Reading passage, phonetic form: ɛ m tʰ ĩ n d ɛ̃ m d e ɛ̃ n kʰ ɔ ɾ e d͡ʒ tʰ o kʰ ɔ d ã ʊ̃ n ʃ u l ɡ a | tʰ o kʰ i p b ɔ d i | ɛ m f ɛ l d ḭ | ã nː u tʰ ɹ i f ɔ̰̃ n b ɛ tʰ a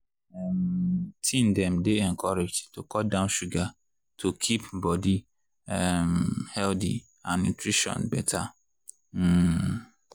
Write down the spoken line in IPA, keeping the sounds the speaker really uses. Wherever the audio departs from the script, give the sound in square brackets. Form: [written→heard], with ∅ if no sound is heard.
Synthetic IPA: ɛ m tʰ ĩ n d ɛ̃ m d e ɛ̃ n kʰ ɔ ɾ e d͡ʒ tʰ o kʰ ɔ d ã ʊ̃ n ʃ u [l→∅] ɡ a | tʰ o kʰ i p b ɔ d i | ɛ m [f→h] ɛ l d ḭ | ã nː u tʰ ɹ i [f→ʃ] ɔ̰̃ n b ɛ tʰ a